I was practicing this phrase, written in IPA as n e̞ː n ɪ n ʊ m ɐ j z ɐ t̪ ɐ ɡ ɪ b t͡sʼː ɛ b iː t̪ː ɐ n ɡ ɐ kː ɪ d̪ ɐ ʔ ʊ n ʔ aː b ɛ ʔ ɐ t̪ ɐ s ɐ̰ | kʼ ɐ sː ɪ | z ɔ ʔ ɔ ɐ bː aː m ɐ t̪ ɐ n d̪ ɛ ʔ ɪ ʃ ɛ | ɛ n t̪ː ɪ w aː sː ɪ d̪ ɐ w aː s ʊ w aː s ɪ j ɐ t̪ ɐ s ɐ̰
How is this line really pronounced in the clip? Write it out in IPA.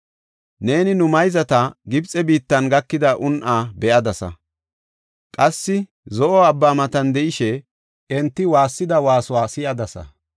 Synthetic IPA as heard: n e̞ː n ɪ n ʊ m ɐ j z ɐ t̪ ɐ ɡ ɪ b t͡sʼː ɛ b iː t̪ː ɐ n ɡ ɐ kː ɪ d̪ ɐ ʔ ʊ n ʔ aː b ɛ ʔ ɐ d̪ ɐ s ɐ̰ | kʼ ɐ sː ɪ | z ɔ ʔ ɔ ɐ bː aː m ɐ t̪ ɐ n d̪ ɛ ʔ ɪ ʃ ɛ | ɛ n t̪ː ɪ w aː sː ɪ d̪ ɐ w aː s ʊ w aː s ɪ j ɐ d̪ ɐ s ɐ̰

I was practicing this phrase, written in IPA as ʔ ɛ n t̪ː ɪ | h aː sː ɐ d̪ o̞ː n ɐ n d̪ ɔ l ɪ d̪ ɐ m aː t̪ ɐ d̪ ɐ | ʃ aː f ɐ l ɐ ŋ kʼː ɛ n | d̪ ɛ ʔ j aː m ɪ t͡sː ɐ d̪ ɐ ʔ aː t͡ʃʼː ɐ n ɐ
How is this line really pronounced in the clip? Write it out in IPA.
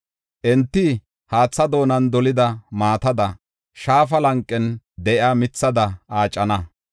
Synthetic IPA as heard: ʔ ɛ n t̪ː ɪ | h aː t͡sː ɐ d̪ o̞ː n ɐ n d̪ ɔ l ɪ d̪ ɐ m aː t̪ ɐ d̪ ɐ | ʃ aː f ɐ l ɐ ŋ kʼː ɛ n | d̪ ɛ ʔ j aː m ɪ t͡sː ɐ d̪ ɐ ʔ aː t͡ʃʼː ɐ n ɐ

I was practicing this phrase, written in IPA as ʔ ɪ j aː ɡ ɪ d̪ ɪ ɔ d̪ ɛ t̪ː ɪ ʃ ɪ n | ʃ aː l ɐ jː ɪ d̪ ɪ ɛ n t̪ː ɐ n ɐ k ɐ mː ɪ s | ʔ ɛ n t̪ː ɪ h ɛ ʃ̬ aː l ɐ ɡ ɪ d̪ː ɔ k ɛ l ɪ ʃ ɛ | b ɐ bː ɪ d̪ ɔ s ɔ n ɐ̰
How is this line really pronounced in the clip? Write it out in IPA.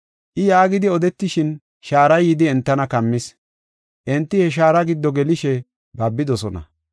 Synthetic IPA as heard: ʔ ɪ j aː ɡ ɪ d̪ ɪ ɔ d̪ ɛ t̪ː ɪ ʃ ɪ n | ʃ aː ɾ ɐ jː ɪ d̪ ɪ ɛ n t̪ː ɐ n ɐ k ɐ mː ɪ s | ʔ ɛ n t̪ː ɪ h ɛ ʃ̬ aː ɾ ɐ ɡ ɪ d̪ː ɔ ɡ ɛ l ɪ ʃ ɛ | b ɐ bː ɪ d̪ ɔ s ɔ n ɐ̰

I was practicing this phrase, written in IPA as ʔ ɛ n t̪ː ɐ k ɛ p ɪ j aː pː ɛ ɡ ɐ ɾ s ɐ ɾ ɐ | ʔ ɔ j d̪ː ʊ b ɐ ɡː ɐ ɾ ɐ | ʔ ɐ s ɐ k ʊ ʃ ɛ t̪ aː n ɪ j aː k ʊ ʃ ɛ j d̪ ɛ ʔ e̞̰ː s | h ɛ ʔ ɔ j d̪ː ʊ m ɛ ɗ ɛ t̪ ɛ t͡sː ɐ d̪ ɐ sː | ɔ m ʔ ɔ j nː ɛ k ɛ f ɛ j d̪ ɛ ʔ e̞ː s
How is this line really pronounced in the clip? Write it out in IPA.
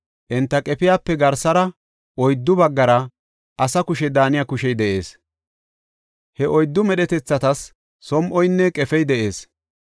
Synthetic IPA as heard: ʔ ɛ n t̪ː ɐ kʼ ɛ p ɪ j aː pː ɛ ɡ ɐ ɾ s ɐ ɾ ɐ | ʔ ɔ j d̪ː ʊ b ɐ ɡː ɐ ɾ ɐ | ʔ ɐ s ɐ k ʊ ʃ ɛ d̪ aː n ɪ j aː k ʊ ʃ ɛ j d̪ ɛ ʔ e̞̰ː s | h ɛ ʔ ɔ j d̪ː ʊ m ɛ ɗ ɛ t̪ ɛ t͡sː ɐ t̪ ɐ sː | ɔ m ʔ ɔ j nː ɛ kʼ ɛ f ɛ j d̪ ɛ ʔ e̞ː s

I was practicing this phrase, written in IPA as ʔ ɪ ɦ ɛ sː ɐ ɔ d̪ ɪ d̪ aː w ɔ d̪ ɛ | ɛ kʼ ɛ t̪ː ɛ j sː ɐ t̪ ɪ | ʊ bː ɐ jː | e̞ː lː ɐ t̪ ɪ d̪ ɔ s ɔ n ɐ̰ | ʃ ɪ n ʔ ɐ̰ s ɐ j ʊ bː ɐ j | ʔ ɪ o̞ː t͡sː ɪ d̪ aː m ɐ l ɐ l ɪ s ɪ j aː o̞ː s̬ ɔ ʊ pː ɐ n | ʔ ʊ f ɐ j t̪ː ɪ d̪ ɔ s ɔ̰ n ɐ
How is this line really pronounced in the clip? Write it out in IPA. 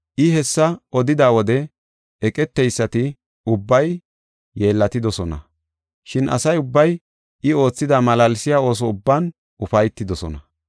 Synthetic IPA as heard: ʔ ɪ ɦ ɛ sː ɐ ɔ d̪ ɪ d̪ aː w ɔ d̪ ɛ | ɛ kʼ ɛ t̪ː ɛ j sː ɐ t̪ ɪ | ʊ bː ɐ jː | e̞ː lː ɐ t̪ ɪ d̪ ɔ s ɔ n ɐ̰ | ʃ ɪ n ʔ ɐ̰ s ɐ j ʊ bː ɐ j | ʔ ɪ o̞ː t͡sː ɪ d̪ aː m ɐ l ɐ l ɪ s ɪ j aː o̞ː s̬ ɔ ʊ bː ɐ n | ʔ ʊ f ɐ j t̪ː ɪ d̪ ɔ s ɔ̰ n ɐ

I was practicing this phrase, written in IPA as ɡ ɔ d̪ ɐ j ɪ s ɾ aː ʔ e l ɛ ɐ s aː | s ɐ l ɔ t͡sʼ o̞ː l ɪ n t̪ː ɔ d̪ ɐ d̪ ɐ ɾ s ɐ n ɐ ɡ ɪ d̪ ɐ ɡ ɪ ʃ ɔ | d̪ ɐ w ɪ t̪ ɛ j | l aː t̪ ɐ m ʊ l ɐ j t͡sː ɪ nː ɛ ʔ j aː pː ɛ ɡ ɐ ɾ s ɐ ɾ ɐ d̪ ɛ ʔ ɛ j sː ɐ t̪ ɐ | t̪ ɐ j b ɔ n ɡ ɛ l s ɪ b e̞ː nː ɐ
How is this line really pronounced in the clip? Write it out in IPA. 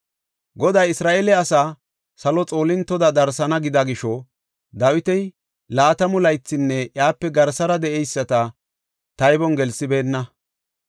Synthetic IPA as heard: ɡ ɔ d̪ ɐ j ɪ s ɾ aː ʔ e l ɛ ɐ s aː | s ɐ l ɔ t͡sʼ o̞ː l ɪ n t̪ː ɔ d̪ ɐ d̪ ɐ ɾ s ɐ n ɐ ɡ ɪ d̪ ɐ ɡ ɪ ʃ ɔ | d̪ ɐ w ɪ t̪ ɛ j | l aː t̪ ɐ m ʊ l ɐ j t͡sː ɪ nː ɛ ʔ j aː pː ɛ ɡ ɐ ɾ s ɐ ɾ ɐ d̪ ɛ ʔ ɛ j sː ɐ t̪ ɐ | t̪ ɐ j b ɔ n ɡ ɛ l s ɪ b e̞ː nː ɐ

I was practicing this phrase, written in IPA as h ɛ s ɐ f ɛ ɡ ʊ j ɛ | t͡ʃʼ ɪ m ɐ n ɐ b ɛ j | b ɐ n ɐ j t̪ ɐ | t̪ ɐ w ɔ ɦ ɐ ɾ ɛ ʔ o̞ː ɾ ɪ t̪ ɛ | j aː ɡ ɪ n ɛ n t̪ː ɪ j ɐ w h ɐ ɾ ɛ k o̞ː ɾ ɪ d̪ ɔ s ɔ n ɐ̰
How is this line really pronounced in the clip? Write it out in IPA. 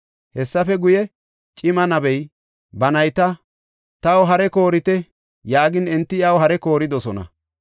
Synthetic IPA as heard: h ɛ sː ɐ f ɛ ɡ ʊ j ɛ | t͡ʃʼ ɪ m ɐ n ɐ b ɛ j | b ɐ n ɐ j t̪ ɐ | t̪ ɐ w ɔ ɦ ɐ ɾ ɛ k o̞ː ɾ ɪ t̪ ɛ | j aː ɡ ɪ n ɛ n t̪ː ɪ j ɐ w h ɐ ɾ ɛ k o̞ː ɾ ɪ d̪ ɔ s ɔ n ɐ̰

